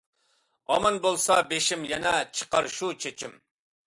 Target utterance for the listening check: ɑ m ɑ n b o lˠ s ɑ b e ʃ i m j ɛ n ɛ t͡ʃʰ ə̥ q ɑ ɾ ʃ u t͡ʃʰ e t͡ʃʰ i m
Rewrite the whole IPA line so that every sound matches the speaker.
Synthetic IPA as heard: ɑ m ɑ n b o lˠ s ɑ b e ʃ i m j ɛ n ɛ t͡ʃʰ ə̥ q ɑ ɾ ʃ u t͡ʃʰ e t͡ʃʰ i m